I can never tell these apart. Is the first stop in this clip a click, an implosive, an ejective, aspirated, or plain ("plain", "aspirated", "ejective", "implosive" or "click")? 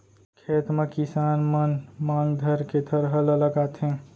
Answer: aspirated